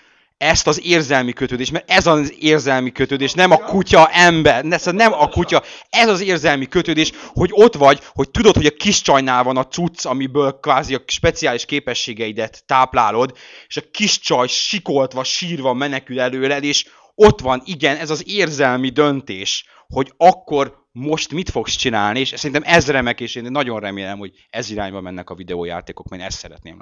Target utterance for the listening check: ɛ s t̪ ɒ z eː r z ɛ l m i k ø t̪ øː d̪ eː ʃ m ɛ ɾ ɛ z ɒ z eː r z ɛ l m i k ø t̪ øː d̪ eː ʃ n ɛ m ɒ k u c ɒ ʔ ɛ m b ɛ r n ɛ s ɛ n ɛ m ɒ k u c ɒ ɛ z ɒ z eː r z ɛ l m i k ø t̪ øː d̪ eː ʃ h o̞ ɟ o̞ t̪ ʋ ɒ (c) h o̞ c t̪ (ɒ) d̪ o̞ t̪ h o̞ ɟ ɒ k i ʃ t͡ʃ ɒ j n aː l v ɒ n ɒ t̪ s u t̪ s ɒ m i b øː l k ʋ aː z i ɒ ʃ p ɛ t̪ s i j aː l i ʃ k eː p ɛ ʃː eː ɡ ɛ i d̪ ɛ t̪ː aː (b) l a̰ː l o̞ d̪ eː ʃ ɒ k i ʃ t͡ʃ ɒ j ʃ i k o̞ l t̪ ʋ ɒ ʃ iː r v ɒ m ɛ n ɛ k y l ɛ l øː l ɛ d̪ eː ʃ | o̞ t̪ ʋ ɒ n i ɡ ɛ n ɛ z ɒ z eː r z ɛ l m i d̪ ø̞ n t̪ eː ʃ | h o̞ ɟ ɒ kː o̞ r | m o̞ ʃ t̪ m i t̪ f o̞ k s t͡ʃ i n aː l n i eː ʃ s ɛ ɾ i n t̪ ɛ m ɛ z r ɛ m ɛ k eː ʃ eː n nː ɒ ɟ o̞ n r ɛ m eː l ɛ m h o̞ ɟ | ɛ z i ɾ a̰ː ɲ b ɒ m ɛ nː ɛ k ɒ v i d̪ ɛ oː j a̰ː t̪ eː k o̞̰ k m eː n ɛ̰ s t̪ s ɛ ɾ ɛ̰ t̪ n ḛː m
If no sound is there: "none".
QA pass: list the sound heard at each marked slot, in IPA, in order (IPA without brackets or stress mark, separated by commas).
ɟ, u, p